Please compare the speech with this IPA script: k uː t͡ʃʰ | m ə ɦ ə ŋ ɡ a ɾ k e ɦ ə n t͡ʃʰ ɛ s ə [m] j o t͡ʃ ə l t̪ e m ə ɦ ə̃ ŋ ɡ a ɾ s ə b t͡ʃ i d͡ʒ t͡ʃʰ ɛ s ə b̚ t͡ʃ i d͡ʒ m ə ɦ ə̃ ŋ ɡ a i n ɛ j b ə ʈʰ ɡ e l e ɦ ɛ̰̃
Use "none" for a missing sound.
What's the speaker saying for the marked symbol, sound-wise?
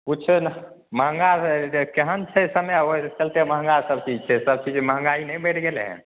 m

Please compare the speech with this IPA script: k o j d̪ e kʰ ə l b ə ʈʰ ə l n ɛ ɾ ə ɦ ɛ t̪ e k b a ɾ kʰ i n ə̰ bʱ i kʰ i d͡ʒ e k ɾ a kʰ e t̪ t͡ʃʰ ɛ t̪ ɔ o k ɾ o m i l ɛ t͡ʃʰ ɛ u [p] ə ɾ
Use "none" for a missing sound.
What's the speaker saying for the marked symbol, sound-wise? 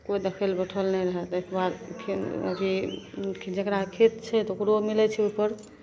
p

